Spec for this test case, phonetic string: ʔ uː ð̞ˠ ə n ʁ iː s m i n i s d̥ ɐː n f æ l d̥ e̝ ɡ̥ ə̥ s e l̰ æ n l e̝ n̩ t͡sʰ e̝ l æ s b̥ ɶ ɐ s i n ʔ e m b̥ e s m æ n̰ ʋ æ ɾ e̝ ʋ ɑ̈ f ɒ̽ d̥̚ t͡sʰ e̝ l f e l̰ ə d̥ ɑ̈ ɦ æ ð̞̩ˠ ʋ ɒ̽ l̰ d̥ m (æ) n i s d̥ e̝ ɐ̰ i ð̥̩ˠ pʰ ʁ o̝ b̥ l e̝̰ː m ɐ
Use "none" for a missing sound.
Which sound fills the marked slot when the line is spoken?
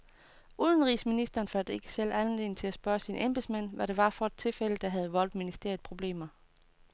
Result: i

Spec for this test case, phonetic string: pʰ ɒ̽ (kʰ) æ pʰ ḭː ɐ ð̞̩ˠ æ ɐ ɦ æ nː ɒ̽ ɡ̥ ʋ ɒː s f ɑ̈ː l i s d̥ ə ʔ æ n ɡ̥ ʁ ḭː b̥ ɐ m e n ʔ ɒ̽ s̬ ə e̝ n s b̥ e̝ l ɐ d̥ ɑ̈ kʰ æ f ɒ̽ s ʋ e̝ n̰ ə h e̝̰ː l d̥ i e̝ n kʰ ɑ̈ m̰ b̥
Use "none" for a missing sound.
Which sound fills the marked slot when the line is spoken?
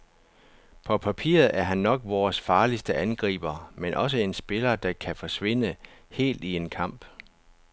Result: pʰ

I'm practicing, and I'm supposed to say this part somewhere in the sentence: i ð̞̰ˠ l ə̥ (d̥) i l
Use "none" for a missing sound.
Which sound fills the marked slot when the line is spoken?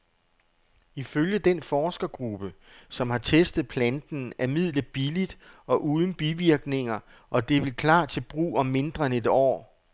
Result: b̥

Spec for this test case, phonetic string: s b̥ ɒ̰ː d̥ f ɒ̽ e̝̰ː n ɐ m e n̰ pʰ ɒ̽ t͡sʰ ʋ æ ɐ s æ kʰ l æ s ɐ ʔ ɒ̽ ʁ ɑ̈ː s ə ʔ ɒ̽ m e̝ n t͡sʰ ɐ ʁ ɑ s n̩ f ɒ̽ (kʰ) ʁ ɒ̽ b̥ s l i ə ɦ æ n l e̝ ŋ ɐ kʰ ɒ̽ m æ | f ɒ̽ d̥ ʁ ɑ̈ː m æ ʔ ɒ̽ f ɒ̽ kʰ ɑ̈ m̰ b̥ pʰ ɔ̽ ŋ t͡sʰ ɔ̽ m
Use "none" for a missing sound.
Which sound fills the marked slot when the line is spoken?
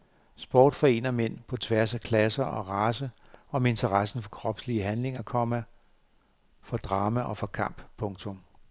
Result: kʰ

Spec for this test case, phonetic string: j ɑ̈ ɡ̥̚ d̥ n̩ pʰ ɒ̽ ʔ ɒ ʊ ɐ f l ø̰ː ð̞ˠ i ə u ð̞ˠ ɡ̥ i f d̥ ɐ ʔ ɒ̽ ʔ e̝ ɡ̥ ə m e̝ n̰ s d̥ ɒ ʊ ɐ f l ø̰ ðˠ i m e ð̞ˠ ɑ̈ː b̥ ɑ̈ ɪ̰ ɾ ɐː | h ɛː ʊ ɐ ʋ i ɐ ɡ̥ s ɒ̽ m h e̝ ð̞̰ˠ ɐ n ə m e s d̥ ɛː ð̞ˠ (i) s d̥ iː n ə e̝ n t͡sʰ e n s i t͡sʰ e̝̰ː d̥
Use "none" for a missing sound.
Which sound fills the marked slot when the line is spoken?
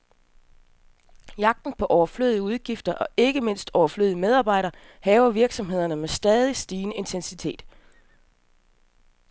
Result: i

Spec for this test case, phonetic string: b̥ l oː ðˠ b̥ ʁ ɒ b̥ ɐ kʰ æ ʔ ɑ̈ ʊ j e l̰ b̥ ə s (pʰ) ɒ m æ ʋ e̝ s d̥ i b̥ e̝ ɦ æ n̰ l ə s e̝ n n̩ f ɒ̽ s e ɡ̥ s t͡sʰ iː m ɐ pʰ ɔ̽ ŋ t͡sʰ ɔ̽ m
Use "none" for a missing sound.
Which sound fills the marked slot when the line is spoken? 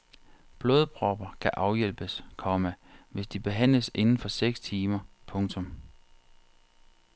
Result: kʰ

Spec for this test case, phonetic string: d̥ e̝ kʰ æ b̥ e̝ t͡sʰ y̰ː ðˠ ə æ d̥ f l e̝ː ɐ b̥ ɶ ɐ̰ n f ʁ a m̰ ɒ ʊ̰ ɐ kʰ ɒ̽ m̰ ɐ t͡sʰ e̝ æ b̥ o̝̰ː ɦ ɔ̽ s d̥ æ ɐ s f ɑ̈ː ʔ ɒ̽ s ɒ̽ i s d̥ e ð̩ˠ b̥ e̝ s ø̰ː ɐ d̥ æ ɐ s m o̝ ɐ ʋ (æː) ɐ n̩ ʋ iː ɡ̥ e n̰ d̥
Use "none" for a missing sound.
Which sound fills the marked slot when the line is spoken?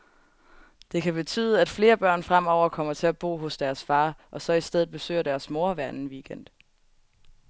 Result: æ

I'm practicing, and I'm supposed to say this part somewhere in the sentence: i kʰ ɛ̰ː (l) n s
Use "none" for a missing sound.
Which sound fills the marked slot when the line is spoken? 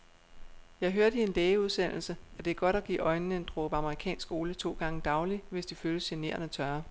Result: none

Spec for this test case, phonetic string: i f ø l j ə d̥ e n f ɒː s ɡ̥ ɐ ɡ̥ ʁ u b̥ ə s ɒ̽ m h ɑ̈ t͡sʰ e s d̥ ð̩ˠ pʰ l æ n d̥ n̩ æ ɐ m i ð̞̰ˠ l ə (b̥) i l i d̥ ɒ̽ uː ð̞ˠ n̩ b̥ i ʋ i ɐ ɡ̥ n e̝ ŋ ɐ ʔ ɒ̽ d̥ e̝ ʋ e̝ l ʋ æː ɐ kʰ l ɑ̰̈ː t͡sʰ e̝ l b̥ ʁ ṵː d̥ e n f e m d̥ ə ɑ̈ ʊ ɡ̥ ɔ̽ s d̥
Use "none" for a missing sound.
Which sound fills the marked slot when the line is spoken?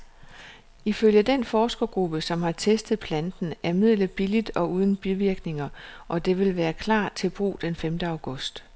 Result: b̥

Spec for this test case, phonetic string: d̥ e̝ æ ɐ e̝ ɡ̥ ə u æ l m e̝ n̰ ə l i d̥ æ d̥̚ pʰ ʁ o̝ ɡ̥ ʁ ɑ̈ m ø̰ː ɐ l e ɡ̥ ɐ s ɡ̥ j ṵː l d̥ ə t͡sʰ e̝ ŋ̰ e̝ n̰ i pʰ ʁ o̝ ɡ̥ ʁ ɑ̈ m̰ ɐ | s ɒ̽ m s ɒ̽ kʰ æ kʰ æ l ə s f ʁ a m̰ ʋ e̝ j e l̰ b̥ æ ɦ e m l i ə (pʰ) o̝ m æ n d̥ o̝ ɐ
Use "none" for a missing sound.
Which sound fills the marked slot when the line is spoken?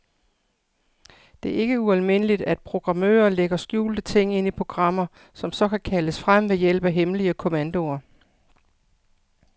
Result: kʰ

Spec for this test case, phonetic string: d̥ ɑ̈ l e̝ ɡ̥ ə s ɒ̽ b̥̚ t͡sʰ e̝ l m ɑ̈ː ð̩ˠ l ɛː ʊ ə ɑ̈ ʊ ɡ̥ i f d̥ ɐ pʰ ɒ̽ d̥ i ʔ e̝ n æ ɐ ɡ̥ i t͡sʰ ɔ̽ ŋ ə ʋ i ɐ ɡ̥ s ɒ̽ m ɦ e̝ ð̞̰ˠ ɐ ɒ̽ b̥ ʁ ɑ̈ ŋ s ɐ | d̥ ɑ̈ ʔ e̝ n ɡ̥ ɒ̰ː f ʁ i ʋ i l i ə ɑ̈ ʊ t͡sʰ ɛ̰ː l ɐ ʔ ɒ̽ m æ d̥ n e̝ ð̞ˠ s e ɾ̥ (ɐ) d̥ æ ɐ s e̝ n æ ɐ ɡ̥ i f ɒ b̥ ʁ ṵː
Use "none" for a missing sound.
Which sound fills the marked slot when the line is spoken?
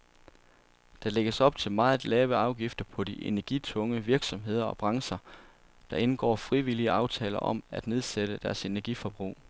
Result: ə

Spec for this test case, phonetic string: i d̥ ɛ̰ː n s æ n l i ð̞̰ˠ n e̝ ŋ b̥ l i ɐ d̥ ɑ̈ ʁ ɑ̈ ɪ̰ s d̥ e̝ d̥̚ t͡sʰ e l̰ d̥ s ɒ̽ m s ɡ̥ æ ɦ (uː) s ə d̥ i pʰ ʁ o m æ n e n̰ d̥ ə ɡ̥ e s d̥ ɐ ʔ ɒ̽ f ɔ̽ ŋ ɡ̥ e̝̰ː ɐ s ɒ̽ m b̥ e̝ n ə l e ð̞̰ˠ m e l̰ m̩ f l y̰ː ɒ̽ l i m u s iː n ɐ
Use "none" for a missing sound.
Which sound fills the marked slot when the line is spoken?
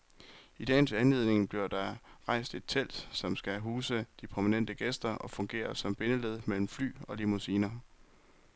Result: uː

